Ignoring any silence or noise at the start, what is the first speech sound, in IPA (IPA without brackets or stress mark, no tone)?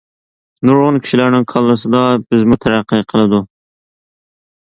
n